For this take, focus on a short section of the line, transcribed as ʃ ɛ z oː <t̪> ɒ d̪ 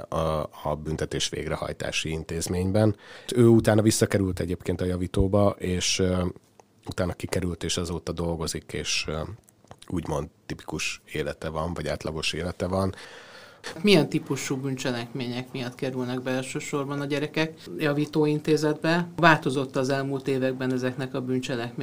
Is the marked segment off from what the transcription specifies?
no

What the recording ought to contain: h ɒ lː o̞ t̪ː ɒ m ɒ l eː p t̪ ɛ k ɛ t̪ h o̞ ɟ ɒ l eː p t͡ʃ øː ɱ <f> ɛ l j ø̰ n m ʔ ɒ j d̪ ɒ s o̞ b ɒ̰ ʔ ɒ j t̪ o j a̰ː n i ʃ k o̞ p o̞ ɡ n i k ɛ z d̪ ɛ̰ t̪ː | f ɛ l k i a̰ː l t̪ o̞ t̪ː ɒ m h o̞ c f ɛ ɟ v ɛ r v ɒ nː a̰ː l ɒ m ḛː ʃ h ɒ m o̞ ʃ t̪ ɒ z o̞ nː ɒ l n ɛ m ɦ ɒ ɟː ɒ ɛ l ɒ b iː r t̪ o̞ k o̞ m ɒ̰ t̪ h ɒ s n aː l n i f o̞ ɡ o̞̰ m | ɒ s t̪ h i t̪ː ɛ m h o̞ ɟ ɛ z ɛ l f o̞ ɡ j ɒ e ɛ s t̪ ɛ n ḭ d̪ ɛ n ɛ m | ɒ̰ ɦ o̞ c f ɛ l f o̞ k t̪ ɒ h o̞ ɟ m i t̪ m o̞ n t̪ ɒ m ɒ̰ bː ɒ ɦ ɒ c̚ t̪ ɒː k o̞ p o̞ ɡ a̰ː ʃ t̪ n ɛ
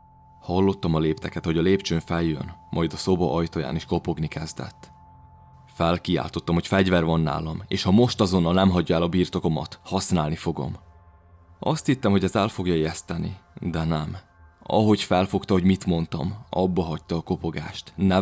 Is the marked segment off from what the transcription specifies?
no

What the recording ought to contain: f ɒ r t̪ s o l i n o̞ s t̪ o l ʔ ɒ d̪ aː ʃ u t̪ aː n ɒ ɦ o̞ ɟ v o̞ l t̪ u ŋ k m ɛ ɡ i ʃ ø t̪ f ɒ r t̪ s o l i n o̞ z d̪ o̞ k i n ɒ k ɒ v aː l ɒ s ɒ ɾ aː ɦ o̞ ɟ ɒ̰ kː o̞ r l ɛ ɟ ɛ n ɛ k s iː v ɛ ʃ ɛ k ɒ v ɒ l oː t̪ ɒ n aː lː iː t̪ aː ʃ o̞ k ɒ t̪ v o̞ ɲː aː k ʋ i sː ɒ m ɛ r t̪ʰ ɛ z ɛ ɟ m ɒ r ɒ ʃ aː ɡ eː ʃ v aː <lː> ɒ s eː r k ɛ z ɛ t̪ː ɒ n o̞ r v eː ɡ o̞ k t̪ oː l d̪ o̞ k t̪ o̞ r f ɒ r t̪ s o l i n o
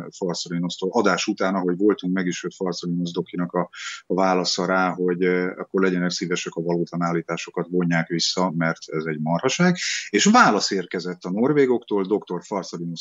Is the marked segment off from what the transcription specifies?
yes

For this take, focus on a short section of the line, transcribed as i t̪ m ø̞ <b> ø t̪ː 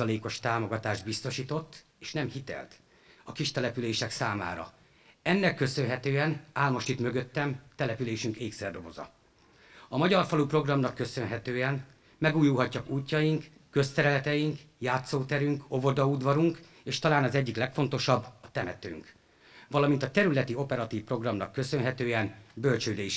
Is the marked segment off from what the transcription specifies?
yes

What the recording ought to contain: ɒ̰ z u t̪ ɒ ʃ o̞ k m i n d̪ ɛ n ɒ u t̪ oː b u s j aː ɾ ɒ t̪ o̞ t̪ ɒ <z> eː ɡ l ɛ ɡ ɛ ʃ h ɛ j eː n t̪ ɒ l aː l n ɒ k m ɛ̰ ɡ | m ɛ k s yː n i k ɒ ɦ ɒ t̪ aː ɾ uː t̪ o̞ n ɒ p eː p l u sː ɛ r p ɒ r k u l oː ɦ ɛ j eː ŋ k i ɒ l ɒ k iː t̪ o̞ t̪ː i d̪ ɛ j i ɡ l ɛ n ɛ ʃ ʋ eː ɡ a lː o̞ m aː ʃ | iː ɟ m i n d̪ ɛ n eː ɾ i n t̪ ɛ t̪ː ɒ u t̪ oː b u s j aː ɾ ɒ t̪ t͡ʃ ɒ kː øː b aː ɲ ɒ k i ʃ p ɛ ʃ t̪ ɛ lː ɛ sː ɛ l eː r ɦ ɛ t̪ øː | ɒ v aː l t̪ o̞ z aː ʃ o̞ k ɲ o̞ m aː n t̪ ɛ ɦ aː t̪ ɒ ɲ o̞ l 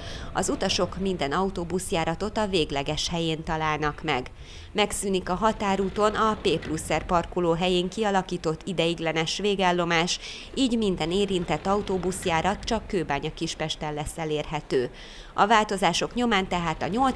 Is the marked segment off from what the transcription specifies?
yes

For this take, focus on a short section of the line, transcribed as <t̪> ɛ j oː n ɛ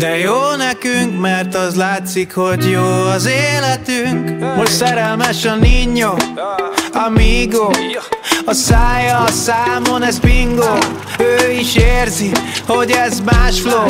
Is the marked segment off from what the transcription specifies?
yes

